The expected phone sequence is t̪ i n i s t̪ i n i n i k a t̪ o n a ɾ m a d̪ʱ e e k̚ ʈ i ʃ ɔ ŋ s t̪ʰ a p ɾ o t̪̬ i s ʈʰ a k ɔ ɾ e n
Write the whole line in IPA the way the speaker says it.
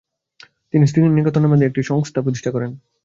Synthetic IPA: t̪ i n i s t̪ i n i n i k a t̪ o n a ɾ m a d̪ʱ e e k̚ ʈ i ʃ ɔ ŋ s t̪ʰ a p ɾ o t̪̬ i ʃ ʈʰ a k ɔ ɾ e n